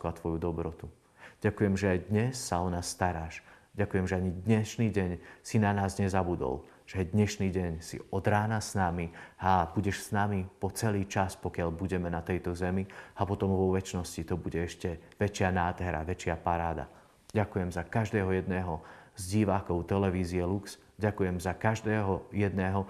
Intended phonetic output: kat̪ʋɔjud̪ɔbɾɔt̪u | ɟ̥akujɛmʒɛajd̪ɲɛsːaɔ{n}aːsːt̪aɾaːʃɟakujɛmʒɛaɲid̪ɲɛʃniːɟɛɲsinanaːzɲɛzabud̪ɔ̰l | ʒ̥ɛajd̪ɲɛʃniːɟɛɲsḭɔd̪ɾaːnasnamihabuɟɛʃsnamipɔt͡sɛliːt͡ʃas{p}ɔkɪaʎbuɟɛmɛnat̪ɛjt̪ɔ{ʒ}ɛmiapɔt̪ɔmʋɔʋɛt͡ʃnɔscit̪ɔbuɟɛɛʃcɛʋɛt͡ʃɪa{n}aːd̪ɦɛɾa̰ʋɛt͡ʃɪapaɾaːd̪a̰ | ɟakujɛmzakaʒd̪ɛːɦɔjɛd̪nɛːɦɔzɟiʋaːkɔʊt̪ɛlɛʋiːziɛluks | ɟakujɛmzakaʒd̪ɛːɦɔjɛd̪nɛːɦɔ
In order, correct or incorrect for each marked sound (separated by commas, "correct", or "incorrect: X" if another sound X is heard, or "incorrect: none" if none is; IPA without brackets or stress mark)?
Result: correct, correct, incorrect: z, correct